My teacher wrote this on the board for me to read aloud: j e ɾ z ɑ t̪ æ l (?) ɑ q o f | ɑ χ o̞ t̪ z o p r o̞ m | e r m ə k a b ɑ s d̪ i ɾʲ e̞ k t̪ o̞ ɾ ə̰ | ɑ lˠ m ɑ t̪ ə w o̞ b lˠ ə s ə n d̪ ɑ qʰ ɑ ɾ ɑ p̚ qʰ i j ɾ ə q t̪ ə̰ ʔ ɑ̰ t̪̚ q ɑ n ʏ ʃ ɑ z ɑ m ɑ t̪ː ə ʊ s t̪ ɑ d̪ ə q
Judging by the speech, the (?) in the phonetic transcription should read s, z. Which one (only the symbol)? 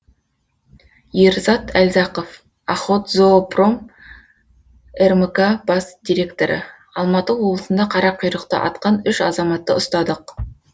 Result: z